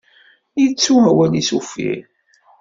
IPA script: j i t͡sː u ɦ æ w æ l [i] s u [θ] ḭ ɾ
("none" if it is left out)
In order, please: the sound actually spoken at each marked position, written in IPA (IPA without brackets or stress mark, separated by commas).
i, f